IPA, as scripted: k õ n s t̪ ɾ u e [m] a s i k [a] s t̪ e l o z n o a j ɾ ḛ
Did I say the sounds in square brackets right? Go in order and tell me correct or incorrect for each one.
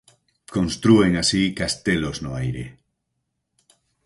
incorrect: ŋ, correct

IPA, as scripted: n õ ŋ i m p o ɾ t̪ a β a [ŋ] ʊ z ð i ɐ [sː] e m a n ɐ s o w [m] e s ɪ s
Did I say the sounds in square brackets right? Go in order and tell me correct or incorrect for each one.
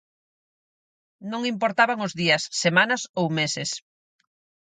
correct, correct, correct

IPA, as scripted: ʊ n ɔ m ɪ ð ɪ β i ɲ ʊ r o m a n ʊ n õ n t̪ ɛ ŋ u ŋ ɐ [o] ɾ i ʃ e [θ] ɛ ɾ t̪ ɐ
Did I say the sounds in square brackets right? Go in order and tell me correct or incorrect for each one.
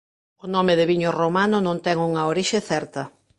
correct, correct

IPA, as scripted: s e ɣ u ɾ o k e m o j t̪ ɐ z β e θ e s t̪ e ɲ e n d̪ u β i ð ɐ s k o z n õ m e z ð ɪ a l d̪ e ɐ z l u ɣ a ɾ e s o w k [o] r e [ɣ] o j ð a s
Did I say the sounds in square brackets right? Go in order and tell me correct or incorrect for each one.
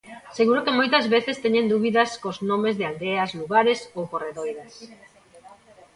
correct, incorrect: ð

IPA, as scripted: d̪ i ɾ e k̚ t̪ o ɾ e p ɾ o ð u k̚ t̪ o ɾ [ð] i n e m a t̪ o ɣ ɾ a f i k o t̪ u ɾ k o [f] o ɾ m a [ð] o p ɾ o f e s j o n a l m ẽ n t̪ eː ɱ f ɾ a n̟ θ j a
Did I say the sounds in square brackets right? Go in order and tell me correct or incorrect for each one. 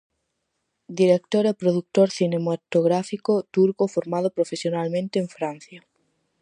incorrect: θ, correct, correct

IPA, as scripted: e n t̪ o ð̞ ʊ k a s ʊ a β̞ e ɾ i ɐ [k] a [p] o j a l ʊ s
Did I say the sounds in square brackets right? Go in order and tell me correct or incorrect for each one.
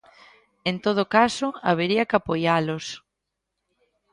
correct, correct

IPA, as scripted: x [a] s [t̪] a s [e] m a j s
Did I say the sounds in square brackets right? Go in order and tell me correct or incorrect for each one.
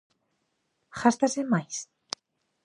correct, correct, correct

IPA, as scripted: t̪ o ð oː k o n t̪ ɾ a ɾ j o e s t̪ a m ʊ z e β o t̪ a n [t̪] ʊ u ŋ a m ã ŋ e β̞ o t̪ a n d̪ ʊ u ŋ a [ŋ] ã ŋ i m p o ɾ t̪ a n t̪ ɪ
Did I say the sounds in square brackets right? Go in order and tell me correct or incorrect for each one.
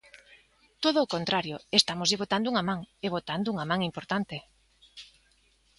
incorrect: d̪, incorrect: m

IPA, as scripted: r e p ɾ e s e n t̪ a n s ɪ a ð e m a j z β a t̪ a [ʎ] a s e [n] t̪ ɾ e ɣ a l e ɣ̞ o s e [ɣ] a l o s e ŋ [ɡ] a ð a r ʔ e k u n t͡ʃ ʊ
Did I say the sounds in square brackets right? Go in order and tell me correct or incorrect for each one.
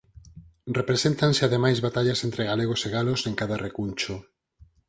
correct, correct, correct, incorrect: k

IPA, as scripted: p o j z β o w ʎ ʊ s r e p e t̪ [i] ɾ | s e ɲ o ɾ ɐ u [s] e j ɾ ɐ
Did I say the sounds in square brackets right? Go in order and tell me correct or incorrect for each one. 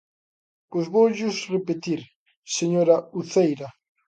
correct, incorrect: θ

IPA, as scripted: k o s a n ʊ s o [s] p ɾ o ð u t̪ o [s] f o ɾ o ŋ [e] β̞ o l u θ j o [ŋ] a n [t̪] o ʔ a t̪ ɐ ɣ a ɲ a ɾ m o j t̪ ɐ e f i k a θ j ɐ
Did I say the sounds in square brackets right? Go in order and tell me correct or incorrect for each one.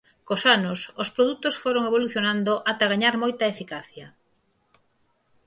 correct, correct, correct, incorrect: n, incorrect: d̪

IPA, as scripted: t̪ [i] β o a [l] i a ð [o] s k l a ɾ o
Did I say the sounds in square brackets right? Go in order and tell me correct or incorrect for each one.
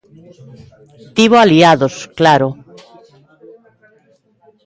correct, correct, correct

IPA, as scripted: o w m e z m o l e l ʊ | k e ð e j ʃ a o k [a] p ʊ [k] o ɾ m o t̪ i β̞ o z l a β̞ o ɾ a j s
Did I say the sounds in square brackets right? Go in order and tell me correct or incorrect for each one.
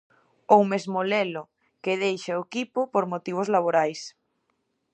incorrect: i, incorrect: p

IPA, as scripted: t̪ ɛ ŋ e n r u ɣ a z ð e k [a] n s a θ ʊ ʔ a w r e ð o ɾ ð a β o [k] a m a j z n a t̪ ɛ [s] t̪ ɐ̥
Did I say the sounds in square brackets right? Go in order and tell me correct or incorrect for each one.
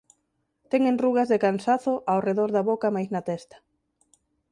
correct, correct, correct

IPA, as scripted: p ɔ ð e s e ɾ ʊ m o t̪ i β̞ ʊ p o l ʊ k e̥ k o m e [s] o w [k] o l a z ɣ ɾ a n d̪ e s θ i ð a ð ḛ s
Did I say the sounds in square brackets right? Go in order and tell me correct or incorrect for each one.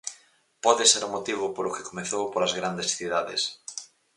incorrect: θ, incorrect: p

